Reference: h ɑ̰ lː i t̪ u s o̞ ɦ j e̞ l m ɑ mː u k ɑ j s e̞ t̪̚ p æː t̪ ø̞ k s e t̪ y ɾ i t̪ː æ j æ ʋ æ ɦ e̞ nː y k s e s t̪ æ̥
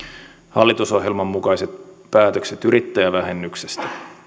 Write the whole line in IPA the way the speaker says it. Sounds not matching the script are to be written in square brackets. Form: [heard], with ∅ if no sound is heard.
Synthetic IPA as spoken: h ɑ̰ lː i t̪ u s o̞ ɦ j e̞ l m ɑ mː u k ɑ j s e̞ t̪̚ p æː t̪ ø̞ k s e t̪ y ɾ i t̪ː æ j æ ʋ æ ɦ e̞ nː y k s e s t̪ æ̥